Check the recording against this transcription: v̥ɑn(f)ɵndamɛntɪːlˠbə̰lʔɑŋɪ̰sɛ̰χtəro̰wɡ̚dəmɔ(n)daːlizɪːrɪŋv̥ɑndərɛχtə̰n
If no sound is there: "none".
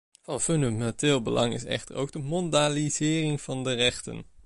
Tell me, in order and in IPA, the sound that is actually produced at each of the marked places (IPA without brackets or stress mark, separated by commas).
f, n